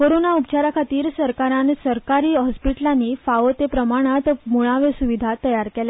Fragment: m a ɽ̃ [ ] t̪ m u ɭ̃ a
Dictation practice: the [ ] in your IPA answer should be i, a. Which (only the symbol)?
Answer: a